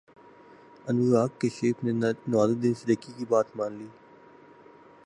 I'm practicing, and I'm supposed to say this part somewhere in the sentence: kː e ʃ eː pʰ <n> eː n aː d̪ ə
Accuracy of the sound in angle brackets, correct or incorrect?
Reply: correct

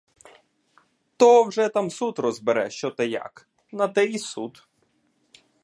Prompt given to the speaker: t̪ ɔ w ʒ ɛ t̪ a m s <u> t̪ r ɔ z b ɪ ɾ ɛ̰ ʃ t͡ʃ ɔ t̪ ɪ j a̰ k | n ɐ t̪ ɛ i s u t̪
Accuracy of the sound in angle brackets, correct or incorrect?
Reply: correct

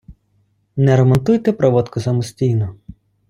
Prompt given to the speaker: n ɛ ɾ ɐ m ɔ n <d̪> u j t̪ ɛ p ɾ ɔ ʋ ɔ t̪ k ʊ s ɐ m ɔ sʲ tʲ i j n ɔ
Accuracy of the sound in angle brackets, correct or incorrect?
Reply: incorrect: t̪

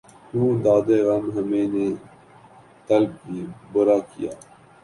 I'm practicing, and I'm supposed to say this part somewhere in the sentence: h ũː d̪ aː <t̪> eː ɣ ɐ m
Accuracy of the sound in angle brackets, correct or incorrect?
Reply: incorrect: d̪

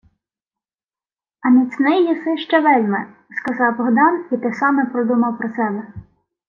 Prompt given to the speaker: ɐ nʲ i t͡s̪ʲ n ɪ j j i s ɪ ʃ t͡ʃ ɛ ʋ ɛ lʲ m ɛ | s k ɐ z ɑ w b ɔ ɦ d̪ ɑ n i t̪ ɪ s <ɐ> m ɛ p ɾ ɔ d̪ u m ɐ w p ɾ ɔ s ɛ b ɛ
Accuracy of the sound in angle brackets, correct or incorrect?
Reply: incorrect: ɑ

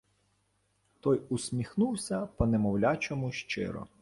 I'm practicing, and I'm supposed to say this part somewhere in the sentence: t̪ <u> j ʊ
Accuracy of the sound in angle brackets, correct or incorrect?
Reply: incorrect: ɔ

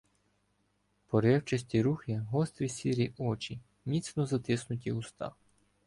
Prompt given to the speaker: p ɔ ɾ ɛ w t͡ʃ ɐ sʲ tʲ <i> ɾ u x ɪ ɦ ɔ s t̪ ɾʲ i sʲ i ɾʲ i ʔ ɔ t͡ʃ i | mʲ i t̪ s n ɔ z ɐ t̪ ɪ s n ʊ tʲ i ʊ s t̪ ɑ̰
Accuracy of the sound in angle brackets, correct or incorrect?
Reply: correct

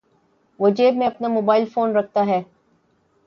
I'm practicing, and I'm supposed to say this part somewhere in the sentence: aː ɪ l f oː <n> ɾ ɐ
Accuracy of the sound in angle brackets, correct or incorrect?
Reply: correct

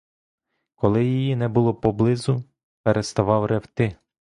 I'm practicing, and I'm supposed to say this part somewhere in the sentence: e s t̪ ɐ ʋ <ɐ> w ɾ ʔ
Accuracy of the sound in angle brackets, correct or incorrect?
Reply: incorrect: ɑ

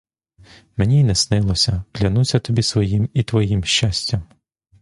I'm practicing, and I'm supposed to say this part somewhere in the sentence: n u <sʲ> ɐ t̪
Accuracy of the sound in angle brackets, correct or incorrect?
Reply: correct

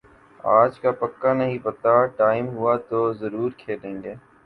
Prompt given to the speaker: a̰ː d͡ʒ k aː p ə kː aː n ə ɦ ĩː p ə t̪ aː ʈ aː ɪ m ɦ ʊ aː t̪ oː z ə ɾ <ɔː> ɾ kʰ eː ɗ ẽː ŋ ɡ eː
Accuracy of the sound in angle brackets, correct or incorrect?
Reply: incorrect: uː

